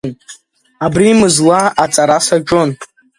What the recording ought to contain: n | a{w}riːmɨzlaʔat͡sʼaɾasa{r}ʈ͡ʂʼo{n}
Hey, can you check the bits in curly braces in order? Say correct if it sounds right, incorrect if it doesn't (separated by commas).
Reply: incorrect, incorrect, correct